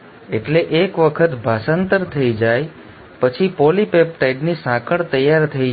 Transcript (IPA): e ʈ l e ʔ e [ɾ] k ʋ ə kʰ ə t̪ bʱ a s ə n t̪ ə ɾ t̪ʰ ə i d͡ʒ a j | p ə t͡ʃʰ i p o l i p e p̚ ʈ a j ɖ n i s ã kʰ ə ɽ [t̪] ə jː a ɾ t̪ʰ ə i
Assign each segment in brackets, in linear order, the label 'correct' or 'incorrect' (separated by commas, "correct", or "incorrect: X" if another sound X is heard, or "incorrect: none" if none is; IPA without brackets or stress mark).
incorrect: none, correct